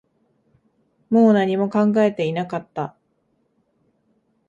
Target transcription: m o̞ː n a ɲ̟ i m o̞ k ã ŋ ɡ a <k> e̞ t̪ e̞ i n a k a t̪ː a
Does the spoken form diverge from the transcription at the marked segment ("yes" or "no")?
yes